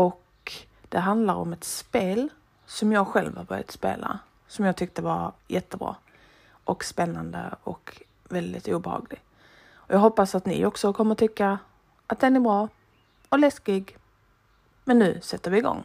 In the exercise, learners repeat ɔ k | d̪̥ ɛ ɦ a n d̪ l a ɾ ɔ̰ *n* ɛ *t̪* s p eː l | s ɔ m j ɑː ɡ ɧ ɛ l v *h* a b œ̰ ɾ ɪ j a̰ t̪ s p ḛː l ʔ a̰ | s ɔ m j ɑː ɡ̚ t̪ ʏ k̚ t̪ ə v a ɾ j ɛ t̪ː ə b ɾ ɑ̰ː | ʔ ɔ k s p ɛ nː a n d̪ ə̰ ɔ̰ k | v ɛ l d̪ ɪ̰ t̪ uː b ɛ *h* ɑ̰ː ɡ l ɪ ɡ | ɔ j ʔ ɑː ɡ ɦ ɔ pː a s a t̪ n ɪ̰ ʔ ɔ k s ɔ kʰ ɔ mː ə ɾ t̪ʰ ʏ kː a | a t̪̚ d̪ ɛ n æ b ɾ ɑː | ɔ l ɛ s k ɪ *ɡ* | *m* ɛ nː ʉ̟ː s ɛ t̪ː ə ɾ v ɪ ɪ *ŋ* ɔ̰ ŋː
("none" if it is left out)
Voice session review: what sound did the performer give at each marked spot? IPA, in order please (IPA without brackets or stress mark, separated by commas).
m, t̪, h, h, ɡ, m, ɡ